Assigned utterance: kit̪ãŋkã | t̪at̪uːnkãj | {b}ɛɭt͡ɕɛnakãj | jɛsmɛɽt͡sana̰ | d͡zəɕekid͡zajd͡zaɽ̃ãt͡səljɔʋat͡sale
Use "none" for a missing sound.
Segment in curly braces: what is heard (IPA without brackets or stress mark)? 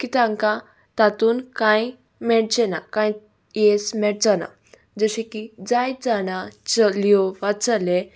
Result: m